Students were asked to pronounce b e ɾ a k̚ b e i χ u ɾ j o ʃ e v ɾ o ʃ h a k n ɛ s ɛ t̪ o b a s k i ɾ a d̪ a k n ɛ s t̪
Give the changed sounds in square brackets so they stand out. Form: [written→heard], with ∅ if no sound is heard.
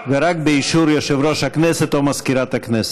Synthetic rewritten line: [b→v] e ɾ a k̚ b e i [χ→ʃ] u ɾ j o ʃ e v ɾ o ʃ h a k n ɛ s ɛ t̪ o [b→m] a s k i ɾ a [d̪→t̪] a k n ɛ s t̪